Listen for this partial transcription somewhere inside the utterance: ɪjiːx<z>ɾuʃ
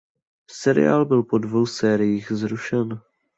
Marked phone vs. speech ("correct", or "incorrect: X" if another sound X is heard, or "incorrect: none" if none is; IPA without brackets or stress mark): correct